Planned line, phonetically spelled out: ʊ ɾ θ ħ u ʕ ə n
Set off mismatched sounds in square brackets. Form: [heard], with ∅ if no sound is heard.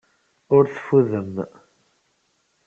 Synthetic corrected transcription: ʊ ɾ θ [f] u [ð] ə [m]